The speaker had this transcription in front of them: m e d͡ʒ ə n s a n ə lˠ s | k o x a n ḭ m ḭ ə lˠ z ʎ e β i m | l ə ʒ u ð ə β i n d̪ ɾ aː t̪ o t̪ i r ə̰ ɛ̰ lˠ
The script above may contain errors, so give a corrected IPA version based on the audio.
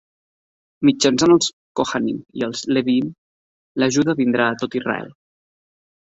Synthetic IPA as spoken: m i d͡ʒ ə n s a n ə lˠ s | k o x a n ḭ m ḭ ə lˠ z l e β i m | l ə ʒ u ð ə β i n d̪ ɾ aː t̪ o t̪ i r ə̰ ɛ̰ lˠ